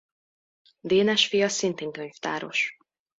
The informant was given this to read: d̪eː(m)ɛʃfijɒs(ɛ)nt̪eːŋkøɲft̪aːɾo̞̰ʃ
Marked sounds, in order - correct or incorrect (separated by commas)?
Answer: incorrect, incorrect